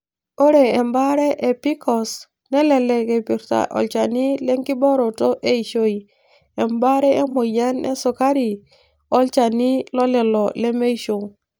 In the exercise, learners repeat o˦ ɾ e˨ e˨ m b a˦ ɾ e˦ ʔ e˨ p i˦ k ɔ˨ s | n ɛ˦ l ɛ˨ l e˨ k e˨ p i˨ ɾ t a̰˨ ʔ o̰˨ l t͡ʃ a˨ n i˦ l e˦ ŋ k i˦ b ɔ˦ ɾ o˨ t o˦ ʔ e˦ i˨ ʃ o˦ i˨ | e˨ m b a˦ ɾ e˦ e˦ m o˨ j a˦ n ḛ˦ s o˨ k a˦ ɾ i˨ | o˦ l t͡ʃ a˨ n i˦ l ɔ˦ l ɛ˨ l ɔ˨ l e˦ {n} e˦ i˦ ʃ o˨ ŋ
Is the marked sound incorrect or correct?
incorrect